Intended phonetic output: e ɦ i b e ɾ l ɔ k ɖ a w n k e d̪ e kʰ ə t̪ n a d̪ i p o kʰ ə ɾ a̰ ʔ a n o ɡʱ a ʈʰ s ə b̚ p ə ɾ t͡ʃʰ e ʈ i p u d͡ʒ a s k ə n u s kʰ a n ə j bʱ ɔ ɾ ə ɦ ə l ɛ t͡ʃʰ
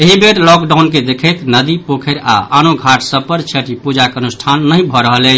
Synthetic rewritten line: e ɦ i b e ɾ l ɔ k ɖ a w n k e d̪ e kʰ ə t̪ n ə d̪ i p o kʰ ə ɾ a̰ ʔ a n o ɡʱ a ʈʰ s ə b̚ p ə ɾ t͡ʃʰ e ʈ i p u d͡ʒ a k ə n u s ʈʰ a nː ə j bʱ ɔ ɾ ə ɦ ə l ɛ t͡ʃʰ

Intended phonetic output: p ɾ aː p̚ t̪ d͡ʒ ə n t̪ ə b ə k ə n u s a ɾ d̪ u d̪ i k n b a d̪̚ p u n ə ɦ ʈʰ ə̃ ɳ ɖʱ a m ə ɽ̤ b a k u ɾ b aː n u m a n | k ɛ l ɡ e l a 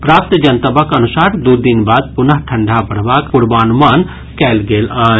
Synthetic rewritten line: p ɾ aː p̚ t̪ d͡ʒ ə n t̪ ə b ə k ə n u s a ɾ d̪ u d̪ i n b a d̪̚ p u n ə ɦ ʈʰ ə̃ ɳ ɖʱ a b ə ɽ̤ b a k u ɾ b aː n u m a n | k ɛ l ɡ e l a

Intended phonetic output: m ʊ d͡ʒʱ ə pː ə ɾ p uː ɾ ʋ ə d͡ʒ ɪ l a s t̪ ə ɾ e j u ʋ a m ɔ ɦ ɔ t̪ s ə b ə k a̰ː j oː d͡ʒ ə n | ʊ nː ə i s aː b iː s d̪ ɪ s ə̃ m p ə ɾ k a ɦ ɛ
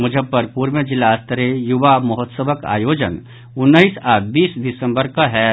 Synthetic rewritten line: m ʊ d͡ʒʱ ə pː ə ɾ p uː ɾ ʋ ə d͡ʒ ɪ l a s t̪ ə ɾ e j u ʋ a m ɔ ɦ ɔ t̪ s ə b ə k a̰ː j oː d͡ʒ ə n | ʊ nː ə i s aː b iː s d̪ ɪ s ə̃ m b ə ɾ k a ɦ ɛ

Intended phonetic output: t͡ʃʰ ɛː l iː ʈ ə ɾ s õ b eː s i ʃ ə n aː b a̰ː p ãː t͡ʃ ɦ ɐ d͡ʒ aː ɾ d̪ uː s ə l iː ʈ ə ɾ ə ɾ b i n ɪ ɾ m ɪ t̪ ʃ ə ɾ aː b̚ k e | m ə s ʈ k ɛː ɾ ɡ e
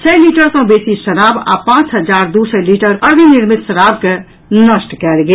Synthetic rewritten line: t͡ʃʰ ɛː l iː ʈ ə ɾ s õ b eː s i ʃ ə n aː b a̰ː p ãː t͡ʃ ɦ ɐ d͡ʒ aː ɾ d̪ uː s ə l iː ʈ ə ɾ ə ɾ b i n ɪ ɾ m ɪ t̪ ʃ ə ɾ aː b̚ k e | n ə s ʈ k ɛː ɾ ɡ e

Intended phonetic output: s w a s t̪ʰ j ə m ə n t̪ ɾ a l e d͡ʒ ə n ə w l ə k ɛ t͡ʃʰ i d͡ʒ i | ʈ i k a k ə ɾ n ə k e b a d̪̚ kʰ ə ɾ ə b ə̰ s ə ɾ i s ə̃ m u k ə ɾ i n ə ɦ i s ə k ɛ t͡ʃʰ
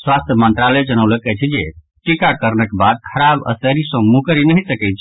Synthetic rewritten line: s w a s t̪ʰ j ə m ə n t̪ ɾ a l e d͡ʒ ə n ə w l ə k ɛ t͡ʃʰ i d͡ʒ e | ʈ i k a k ə ɾ n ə k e b a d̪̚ kʰ ə ɾ a b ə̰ s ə ɾ i s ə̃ m u k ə ɾ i n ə ɦ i s ə k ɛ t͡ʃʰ

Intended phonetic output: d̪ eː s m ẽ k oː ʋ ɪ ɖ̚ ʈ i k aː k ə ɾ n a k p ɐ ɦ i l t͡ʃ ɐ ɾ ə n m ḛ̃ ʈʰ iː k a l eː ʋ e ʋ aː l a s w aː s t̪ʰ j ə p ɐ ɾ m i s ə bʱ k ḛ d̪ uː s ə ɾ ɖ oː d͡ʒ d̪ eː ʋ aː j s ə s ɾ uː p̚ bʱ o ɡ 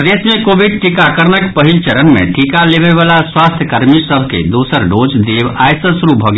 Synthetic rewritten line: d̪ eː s m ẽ k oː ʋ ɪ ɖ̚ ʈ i k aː k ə ɾ n ə k p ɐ ɦ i l t͡ʃ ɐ ɾ ə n m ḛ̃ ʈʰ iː k a l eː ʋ e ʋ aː l a s w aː s t̪ʰ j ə k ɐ ɾ m i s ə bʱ k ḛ d̪ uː s ə ɾ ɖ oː d͡ʒ d̪ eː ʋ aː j s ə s ɾ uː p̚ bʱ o ɡ

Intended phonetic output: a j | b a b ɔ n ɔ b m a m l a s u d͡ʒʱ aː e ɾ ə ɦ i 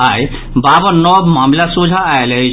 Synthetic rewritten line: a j | b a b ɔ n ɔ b m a m l a s u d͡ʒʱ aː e l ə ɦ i

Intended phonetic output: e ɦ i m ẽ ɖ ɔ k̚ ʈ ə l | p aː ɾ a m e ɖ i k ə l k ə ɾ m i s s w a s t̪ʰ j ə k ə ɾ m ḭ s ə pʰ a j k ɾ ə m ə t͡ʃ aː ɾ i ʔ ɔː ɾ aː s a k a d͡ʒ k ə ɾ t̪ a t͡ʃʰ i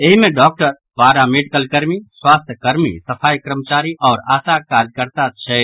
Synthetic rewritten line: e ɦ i m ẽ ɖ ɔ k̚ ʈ ə ɾ | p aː ɾ a m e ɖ i k ə l k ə ɾ m i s s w a s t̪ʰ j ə k ə ɾ m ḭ s ə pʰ a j k ɾ ə m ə t͡ʃ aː ɾ i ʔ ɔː ɾ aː s a k a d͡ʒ k ə ɾ t̪ a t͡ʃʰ ɛ

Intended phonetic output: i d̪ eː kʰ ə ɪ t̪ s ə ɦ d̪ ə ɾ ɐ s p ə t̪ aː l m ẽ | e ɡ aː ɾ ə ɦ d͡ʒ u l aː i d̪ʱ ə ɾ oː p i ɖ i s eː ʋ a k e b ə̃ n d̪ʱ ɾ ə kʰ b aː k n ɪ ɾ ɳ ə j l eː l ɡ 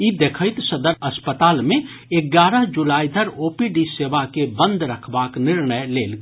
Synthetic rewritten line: i d̪ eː kʰ ə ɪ t̪ s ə d̪ ə ɾ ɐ s p ə t̪ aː l m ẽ | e ɡ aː ɾ ə ɦ d͡ʒ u l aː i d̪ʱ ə ɾ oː p i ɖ i s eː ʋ a k e b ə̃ n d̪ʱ ɾ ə kʰ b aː k n ɪ ɾ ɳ ə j l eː l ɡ

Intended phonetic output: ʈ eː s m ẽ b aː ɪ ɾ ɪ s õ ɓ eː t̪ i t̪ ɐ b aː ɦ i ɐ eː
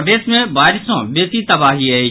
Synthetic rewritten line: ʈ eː s m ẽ b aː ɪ ɾ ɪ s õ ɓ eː t̪ i t̪ ɐ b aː ɦ i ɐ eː

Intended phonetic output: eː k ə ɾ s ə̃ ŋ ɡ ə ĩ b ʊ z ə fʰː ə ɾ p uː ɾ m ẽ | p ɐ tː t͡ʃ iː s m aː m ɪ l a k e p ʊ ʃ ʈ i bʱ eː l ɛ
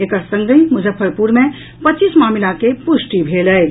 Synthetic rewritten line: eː k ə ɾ s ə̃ ŋ ɡ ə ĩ m ʊ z ə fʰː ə ɾ p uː ɾ m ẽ | p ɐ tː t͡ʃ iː s m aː m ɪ l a k e p ʊ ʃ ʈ i bʱ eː l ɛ

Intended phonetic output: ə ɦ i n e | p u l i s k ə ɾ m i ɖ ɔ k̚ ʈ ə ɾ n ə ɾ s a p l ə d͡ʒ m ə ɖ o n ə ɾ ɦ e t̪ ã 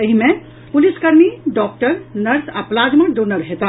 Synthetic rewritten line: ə ɦ i m e | p u l i s k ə ɾ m i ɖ ɔ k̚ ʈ ə ɾ n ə ɾ s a p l a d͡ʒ m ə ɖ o n ə ɾ ɦ e t̪ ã

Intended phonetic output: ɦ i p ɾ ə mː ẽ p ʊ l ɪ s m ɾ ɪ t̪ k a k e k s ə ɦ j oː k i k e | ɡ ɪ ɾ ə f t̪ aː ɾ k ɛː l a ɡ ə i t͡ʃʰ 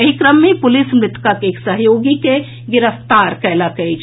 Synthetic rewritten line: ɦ i k ɾ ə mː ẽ p ʊ l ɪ s m ɾ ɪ t̪ k a k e k s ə ɦ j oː ɡ i k e | ɡ ɪ ɾ ə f t̪ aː ɾ k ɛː l a k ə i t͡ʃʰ

